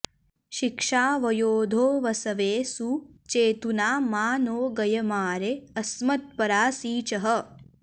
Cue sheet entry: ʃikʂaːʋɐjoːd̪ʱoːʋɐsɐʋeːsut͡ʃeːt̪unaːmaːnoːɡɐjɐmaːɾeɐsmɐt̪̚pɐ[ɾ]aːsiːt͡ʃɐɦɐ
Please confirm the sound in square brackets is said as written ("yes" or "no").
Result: yes